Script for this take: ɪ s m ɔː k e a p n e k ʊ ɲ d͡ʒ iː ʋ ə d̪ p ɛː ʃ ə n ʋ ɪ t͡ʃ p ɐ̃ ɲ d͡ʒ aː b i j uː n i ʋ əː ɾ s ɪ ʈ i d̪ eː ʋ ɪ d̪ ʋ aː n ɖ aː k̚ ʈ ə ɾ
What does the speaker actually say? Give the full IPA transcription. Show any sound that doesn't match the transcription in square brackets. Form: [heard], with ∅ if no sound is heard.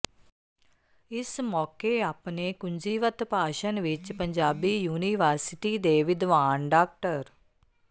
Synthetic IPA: ɪ s m ɔː k e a p n e k ʊ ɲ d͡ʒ iː ʋ ə [t̪] p [aː] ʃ ə n ʋ ɪ t͡ʃ p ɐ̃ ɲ d͡ʒ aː b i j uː n i ʋ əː ɾ s ɪ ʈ i d̪ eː ʋ ɪ d̪ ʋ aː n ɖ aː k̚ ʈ ə ɾ